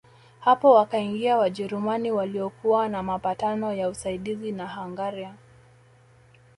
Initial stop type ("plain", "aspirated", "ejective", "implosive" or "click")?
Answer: plain